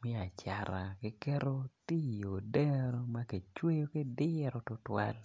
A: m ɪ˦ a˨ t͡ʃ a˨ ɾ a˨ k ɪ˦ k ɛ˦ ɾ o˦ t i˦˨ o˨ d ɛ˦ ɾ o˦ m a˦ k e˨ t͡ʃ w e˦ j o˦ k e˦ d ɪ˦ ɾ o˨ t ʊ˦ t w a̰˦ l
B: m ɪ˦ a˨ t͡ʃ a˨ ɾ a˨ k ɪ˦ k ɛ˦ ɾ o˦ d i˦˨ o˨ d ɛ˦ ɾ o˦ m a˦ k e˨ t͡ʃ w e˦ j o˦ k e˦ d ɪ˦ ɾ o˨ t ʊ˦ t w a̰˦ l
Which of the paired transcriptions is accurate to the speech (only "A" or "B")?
A